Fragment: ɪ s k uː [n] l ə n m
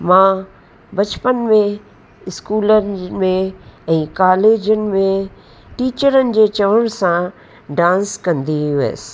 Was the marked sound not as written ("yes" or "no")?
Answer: yes